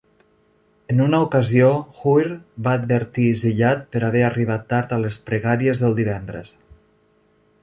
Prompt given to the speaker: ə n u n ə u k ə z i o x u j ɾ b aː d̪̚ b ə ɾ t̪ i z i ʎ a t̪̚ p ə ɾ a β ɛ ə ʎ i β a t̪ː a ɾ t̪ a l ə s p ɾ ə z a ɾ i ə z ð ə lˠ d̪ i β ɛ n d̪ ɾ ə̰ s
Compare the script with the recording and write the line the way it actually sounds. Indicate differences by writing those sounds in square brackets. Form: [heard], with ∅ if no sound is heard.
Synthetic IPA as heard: ə n u n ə u k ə z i o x u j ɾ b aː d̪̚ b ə ɾ t̪ i z i ʎ a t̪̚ p ə ɾ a β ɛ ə [r] i β a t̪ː a ɾ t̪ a l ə s p ɾ ə [ɣ] a ɾ i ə z ð ə lˠ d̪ i β ɛ n d̪ ɾ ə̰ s